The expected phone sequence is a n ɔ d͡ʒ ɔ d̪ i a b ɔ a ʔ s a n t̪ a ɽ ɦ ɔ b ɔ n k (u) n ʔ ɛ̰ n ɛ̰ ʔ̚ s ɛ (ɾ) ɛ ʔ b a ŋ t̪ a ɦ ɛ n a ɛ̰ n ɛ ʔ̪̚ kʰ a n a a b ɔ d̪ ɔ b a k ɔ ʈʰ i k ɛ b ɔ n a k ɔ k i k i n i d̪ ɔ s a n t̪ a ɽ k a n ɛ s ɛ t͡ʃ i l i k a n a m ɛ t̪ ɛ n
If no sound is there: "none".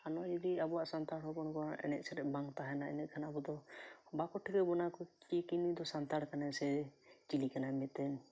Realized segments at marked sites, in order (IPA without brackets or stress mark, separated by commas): ɔ, ɾ